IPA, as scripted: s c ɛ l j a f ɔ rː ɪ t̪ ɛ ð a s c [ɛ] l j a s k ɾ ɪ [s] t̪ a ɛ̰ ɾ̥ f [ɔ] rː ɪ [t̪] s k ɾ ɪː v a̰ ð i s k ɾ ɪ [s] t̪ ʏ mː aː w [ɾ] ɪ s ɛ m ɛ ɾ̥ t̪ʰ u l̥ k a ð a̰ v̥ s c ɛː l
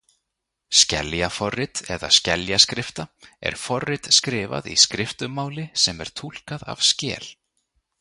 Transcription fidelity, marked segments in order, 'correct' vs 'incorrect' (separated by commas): correct, incorrect, correct, correct, incorrect, incorrect